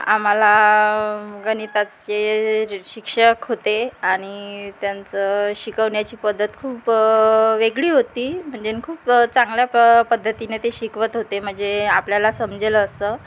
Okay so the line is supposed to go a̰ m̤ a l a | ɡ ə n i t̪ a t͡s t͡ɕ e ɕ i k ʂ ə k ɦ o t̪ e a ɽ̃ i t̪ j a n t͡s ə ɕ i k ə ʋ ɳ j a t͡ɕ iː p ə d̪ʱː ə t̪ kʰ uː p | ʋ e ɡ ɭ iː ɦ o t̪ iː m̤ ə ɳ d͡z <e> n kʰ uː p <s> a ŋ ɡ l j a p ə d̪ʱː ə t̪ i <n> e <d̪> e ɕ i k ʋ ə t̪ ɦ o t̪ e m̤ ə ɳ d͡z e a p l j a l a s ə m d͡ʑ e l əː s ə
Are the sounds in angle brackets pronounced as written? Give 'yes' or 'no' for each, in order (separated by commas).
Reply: yes, no, yes, no